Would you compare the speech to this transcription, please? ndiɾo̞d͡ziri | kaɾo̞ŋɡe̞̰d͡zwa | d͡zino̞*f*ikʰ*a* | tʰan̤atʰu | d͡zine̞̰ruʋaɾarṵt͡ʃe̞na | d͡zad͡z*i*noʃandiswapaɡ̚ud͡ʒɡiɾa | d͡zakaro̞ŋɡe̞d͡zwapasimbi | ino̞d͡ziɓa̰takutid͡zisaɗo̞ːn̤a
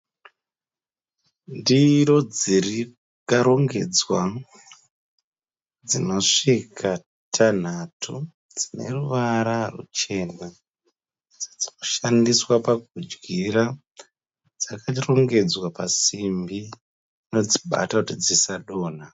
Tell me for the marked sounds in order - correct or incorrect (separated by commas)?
incorrect, correct, correct